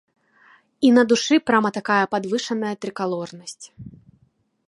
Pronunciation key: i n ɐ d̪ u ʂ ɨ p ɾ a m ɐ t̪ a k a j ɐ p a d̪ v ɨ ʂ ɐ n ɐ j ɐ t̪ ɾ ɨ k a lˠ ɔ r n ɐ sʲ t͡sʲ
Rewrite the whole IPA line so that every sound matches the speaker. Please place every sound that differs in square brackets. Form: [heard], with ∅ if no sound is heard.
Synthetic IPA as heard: i n ɐ d̪ u ʂ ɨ p ɾ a m ɐ t̪ a k a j ɐ p a d̪ v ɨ ʂ ɐ n ɐ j ɐ t̪ ɾ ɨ k a lˠ ɔ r n ɐ sʲ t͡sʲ